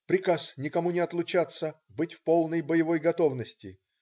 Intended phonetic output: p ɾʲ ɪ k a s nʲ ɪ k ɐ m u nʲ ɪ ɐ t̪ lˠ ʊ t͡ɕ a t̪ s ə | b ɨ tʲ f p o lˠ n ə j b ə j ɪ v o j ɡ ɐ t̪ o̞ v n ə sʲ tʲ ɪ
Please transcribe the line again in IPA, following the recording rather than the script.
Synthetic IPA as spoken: p ɾʲ ɪ k a s nʲ ɪ k ɐ m u nʲ ɪ ɐ t̪ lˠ ʊ t͡ɕ a t̪ s ə | b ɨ tʲ f p o lˠ n ə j b ə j ɪ v o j ɡ ɐ t̪ o̞ v n ə sʲ tʲ ɪ